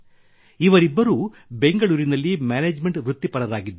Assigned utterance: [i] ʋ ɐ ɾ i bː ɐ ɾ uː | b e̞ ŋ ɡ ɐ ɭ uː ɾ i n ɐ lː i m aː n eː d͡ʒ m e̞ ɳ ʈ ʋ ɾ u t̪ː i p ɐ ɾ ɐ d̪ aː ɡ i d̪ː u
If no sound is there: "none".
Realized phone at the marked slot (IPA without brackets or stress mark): i